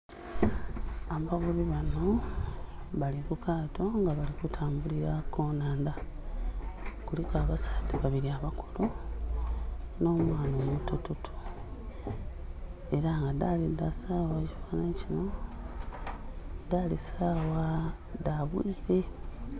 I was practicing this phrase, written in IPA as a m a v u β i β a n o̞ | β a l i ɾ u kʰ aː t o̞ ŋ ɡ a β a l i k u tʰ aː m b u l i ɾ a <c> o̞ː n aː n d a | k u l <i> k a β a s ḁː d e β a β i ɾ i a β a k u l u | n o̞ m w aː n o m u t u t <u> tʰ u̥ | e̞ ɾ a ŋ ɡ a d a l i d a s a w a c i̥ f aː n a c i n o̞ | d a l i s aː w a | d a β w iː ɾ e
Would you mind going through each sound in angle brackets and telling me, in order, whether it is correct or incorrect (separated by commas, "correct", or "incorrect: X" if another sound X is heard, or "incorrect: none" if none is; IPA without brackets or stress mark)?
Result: incorrect: k, correct, correct